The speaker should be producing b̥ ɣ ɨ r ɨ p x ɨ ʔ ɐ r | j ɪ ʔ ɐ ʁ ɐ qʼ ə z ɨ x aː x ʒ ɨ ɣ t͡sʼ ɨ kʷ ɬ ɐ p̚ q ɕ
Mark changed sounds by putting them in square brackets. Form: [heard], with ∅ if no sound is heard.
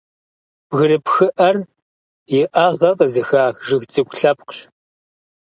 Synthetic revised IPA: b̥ ɣ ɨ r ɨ p x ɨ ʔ ɐ r | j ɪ ʔ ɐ ʁ ɐ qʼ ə z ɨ x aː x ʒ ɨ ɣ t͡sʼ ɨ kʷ ɬ ɐ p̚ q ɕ

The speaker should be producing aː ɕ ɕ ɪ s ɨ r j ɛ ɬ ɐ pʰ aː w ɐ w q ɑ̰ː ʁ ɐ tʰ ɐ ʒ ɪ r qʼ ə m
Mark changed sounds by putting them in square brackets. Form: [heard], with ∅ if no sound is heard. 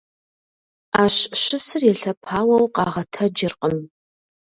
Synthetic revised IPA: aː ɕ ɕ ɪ s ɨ r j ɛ ɬ ɐ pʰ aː w ɐ w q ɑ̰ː ʁ ɐ tʰ ɐ [d͡ʒ] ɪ r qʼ ə m

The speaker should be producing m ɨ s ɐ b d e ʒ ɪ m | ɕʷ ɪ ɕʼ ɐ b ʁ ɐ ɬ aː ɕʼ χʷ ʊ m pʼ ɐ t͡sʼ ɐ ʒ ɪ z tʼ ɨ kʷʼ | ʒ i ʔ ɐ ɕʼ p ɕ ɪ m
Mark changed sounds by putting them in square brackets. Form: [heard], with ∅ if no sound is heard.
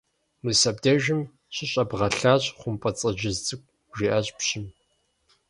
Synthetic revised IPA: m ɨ s ɐ b d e ʒ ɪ m | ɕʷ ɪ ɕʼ ɐ b ʁ ɐ ɬ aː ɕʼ χʷ ʊ m pʼ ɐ t͡sʼ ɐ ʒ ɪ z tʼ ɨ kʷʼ | ʒ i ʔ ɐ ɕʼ p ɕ ɪ m

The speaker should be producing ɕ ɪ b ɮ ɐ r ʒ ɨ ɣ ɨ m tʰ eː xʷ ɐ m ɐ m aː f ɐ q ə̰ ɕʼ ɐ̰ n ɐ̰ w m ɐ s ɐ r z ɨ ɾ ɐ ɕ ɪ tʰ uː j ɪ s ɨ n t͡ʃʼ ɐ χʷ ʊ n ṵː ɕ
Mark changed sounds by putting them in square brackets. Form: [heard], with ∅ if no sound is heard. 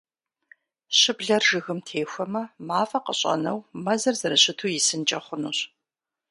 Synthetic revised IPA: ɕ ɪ b ɮ ɐ r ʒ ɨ ɣ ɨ m tʰ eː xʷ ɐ m ɐ m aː f ɐ q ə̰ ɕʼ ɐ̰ n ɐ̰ w m ɐ [z] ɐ r z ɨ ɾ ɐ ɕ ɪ tʰ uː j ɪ s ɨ n t͡ʃʼ ɐ χʷ ʊ n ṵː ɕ

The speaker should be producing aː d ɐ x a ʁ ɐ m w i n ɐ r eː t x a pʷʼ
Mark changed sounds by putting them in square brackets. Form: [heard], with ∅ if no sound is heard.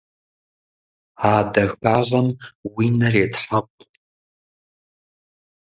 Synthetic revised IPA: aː d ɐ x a ʁ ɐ m w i n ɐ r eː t [ħ] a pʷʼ

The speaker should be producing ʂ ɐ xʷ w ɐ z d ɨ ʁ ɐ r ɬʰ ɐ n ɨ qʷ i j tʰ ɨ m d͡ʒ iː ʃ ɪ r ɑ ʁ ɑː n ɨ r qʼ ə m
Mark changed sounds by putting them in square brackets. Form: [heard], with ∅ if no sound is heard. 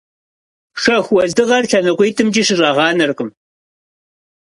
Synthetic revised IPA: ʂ ɐ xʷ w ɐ z d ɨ ʁ ɐ r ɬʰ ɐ n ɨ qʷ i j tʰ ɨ m d͡ʒ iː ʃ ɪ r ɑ ʁ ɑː n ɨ r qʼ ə m

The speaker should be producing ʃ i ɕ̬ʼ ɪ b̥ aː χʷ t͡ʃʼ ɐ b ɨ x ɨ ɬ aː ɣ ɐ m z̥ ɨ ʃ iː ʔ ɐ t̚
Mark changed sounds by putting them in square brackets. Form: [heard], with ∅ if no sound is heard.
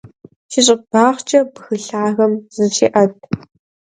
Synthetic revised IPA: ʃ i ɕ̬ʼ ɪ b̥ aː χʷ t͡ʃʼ ɐ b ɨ x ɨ ɬ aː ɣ ɐ m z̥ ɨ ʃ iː ʔ ɐ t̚

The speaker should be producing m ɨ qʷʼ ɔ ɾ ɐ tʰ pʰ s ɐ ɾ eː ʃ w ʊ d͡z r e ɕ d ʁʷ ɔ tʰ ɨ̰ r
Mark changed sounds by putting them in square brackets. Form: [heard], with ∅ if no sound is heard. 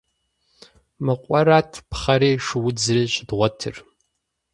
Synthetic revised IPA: m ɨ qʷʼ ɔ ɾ [a] tʰ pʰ [χ] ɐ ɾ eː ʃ w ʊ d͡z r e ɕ d ʁʷ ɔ tʰ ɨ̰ r

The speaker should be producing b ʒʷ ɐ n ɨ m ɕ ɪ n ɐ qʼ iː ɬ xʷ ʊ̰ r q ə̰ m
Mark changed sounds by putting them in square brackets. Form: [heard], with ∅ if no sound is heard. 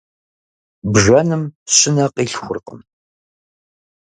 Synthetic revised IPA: b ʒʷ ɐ n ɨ m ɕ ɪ n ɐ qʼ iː ɬ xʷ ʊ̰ r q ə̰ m

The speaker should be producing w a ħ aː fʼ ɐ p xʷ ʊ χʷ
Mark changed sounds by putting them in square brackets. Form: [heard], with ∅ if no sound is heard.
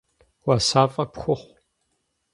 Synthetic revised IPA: w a [s] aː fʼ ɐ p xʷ ʊ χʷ

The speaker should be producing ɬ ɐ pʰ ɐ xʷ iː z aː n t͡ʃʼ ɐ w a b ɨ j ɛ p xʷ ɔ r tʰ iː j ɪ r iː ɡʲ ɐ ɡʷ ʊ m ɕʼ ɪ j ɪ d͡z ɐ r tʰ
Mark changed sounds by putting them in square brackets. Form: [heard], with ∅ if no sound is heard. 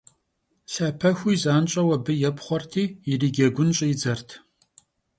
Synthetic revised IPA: ɬ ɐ pʰ ɐ xʷ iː z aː n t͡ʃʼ ɐ w [ɐ] b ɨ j ɛ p [χʷ] ɔ r tʰ iː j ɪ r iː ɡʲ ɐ ɡʷ ʊ [n] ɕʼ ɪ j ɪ d͡z ɐ r tʰ

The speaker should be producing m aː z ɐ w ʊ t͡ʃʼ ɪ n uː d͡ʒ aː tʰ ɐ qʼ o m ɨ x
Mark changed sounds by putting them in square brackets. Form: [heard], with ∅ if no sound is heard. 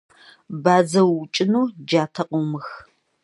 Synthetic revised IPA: [b] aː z ɐ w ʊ t͡ʃʼ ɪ n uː d͡ʒ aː tʰ ɐ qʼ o m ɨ x

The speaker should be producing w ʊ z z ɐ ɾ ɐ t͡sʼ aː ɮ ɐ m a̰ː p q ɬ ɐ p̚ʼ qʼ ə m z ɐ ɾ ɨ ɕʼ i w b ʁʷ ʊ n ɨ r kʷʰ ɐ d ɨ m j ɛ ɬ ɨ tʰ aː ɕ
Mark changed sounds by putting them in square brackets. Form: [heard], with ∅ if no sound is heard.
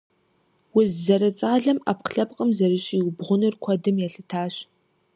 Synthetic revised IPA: w ʊ z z ɐ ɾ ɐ t͡sʼ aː ɮ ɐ m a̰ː p q ɬ ɐ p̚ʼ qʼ ə m z ɐ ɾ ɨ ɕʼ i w b ʁʷ ʊ n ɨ r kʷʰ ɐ d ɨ m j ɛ ɬ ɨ tʰ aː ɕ

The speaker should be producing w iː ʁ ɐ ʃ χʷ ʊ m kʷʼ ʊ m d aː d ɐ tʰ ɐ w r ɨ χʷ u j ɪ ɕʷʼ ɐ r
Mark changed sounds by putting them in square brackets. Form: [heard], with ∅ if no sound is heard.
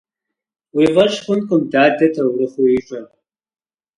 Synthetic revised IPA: w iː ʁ ɐ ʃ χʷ ʊ [n] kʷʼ ʊ m d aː d ɐ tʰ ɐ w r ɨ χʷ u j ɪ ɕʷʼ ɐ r

